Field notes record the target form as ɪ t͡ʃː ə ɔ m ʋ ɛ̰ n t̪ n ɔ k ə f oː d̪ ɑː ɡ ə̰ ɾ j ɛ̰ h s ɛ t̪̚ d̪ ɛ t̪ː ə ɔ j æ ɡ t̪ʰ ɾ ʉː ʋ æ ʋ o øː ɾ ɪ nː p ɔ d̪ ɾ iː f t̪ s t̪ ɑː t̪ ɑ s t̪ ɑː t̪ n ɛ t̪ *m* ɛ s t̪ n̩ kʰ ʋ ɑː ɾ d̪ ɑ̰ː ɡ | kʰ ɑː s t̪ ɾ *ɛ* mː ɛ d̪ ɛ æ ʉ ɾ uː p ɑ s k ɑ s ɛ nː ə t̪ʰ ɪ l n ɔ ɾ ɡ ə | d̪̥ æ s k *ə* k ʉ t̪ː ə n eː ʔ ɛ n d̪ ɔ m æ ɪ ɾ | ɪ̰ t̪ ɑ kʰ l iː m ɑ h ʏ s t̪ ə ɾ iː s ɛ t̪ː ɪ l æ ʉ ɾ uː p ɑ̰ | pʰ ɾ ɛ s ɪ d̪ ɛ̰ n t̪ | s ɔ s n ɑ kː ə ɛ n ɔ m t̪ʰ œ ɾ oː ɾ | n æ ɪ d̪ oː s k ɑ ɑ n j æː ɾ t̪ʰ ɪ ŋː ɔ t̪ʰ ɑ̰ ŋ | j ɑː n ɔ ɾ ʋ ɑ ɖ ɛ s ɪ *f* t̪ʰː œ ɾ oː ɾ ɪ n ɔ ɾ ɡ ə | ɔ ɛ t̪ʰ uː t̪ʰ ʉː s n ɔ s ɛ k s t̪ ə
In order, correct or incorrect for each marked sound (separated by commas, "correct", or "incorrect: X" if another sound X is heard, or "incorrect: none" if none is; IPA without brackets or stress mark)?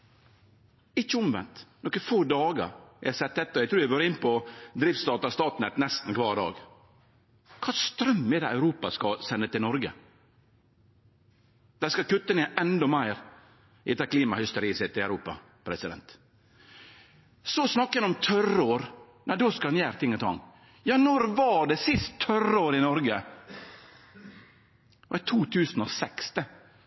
incorrect: n, incorrect: œ, incorrect: ɑ, incorrect: s